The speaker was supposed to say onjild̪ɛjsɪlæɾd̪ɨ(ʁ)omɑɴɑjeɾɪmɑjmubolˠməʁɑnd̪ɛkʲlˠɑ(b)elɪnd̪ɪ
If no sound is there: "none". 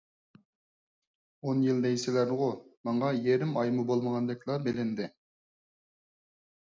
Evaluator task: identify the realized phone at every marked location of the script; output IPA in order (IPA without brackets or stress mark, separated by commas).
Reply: ʁ, b